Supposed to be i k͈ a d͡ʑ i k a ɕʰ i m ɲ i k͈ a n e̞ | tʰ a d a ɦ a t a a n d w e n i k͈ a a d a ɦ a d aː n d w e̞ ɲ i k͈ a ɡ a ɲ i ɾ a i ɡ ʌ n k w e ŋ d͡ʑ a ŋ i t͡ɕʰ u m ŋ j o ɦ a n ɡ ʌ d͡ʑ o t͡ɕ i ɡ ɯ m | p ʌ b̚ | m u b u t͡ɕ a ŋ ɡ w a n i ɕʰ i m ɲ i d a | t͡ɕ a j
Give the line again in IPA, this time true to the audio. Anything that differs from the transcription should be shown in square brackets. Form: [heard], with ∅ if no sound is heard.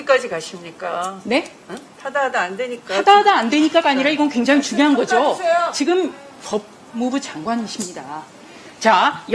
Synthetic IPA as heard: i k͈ a d͡ʑ i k a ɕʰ i m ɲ i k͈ a n e̞ | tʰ a d a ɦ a [d] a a n d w e [ɲ] i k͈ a a d a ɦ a d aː n d w e̞ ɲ i k͈ a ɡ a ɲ i ɾ a i ɡ ʌ n k w e ŋ d͡ʑ a ŋ i [t͡ɕ] u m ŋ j o ɦ a n ɡ ʌ d͡ʑ o t͡ɕ i ɡ ɯ m | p ʌ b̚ | m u b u t͡ɕ a ŋ ɡ w a n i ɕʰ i m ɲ i d a | t͡ɕ a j